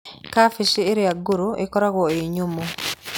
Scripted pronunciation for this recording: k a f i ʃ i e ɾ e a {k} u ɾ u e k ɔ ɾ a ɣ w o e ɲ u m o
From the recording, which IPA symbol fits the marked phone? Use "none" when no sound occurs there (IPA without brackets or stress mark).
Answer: ɡ